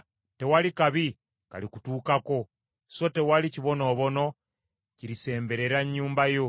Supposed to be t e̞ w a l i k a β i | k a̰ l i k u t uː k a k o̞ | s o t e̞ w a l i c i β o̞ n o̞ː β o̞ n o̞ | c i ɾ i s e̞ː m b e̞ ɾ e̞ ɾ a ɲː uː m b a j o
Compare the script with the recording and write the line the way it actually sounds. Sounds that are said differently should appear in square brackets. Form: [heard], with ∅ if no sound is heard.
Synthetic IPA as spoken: t e̞ w a l i k a β i | k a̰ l i k u t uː k a k o̞ | s o t e̞ w a l i c i β o̞ n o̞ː β o̞ n o̞ | c i ɾ i s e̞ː m b e̞ ɾ e̞ ɾ a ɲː uː m b a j o

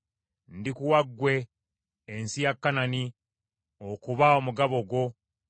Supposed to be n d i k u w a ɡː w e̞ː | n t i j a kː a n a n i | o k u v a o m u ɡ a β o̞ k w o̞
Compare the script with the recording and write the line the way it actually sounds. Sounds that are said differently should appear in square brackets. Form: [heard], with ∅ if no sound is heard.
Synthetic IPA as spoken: n d i k u w a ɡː w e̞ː | n [s] i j a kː a n a n i | o k u [β] a o m u ɡ a β o̞ [ɡ] w o̞

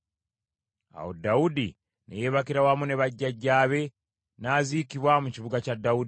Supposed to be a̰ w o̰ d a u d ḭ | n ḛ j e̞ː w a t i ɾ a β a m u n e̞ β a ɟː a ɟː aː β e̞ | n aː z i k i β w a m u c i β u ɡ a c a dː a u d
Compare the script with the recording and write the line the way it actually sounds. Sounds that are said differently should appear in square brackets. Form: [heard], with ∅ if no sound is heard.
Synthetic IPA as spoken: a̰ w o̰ d a u d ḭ | n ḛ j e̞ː [β] a [k] i ɾ a [w] a m u n e̞ β a ɟː a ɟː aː β e̞ | n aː z i k i β w a m u c i β u ɡ a c a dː a u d

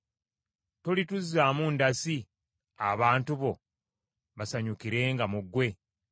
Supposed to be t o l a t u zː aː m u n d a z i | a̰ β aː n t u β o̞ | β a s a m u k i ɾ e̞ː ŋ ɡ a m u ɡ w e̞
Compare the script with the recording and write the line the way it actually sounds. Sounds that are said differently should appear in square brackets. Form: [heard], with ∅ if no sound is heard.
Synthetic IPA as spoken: t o l [i] t u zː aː m u n d a [s] i | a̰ β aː n t u β o̞ | β a s a [ɲ] u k i ɾ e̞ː ŋ ɡ a m u ɡ w e̞

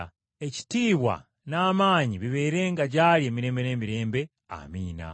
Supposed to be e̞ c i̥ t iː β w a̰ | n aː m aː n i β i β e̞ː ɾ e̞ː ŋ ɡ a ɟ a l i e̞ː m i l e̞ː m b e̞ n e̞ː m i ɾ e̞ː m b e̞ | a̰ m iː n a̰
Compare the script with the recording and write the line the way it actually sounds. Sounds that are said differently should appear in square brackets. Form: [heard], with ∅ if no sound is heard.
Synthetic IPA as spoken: e̞ c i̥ t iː β w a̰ | n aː m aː [ɲ] i β i β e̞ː ɾ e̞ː ŋ ɡ a ɟ a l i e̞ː m i [ɾ] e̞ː m b e̞ n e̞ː m i ɾ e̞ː m b e̞ | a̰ m iː n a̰

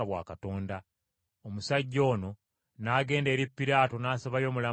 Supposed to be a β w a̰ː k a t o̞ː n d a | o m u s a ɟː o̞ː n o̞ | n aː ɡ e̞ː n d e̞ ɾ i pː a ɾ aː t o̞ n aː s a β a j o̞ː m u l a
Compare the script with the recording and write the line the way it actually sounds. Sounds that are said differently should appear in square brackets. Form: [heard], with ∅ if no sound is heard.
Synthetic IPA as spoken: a β w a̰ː k a t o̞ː n d a | o m u s a ɟː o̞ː n o̞ | n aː ɡ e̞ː n d e̞ ɾ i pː [i] ɾ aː t o̞ n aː s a β a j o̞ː m u l a

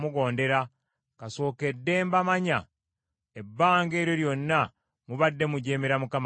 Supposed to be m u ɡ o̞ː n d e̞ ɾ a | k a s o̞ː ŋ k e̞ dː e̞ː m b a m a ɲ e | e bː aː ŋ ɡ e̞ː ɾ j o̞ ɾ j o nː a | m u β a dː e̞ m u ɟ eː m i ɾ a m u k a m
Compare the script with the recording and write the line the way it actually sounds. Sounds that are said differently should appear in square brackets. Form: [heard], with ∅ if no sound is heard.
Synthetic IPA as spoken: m u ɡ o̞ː n d e̞ ɾ a | k a s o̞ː [∅] k e̞ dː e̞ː m b a m a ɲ [a] | e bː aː ŋ ɡ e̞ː ɾ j o̞ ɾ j o nː a | m u β a dː e̞ m u ɟ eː m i ɾ a m u k a m

